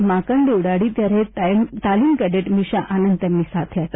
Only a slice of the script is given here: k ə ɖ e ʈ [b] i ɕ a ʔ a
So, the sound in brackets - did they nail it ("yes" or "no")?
no